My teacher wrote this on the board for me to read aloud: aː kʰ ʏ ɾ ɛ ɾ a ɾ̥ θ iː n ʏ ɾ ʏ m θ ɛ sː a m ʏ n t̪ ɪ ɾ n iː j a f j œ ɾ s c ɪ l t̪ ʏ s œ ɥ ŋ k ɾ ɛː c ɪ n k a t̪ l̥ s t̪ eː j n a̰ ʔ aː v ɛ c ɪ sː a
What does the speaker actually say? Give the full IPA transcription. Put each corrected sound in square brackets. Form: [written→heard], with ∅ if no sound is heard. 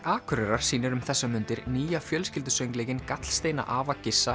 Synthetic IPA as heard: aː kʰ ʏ ɾ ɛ ɾ a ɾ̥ [θ→s] iː n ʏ ɾ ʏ m θ ɛ sː a m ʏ n t̪ ɪ ɾ n iː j a f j œ [ɾ→l] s c ɪ l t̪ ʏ s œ ɥ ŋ k [ɾ→l] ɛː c ɪ n k a t̪ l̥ s t̪ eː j n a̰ ʔ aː v [ɛ→a] c ɪ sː a